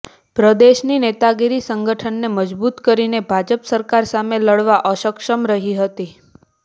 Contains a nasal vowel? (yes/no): no